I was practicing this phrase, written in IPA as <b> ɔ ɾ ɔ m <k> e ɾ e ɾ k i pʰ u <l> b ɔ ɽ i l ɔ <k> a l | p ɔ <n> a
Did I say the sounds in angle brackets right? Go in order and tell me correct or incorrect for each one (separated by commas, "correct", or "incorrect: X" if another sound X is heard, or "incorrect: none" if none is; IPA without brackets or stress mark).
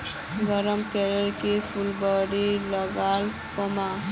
incorrect: ɡ, correct, correct, incorrect: ɡ, incorrect: m